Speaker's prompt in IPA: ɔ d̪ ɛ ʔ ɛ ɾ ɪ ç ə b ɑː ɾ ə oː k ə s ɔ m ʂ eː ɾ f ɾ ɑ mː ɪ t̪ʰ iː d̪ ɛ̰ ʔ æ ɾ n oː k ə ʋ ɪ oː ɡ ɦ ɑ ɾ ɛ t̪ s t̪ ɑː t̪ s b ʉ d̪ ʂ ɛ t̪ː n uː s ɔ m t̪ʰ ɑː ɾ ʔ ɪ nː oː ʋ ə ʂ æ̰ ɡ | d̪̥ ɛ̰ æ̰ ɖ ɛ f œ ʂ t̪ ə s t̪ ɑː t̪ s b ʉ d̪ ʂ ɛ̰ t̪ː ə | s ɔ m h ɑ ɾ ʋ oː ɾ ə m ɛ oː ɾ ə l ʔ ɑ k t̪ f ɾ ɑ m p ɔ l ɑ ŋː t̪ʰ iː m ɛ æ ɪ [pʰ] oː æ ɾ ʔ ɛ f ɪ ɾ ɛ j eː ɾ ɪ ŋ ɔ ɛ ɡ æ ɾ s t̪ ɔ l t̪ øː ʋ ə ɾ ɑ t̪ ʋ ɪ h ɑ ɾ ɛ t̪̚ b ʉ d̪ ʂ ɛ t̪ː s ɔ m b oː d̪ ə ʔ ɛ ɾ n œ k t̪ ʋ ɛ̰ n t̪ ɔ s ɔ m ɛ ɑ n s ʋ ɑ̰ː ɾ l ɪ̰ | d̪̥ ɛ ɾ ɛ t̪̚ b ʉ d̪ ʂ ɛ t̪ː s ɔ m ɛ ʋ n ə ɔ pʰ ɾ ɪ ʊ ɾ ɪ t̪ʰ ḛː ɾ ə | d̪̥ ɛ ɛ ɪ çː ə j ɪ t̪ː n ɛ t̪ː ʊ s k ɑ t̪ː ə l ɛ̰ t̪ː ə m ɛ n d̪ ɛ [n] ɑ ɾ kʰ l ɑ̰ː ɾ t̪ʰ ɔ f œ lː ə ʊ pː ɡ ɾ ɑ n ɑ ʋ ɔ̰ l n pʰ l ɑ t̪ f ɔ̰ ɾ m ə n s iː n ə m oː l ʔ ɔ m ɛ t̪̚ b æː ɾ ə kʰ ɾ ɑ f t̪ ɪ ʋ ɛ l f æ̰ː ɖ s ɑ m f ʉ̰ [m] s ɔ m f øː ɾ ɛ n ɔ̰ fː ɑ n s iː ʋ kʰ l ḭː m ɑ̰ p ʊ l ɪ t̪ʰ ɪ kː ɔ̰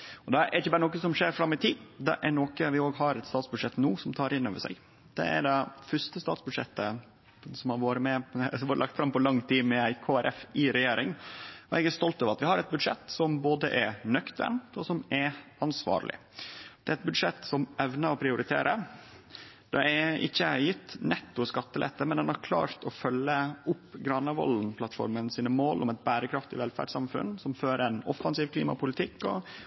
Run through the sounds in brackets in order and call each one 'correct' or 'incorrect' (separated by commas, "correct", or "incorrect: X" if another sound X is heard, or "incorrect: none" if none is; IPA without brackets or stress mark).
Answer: incorrect: kʰ, correct, incorrect: n